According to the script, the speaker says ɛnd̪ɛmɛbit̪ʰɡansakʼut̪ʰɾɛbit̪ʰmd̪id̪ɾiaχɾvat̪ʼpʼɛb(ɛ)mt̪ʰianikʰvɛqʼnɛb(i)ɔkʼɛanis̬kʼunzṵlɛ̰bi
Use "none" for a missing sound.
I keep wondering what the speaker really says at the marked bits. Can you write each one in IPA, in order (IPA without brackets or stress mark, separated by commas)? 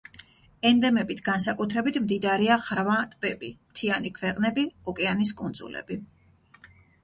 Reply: i, i